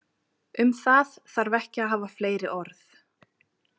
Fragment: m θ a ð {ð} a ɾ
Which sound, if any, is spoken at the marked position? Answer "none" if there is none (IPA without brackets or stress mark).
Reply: θ